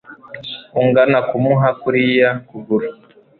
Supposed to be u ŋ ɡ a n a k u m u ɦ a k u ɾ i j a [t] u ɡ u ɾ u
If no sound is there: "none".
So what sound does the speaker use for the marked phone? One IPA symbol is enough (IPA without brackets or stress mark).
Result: k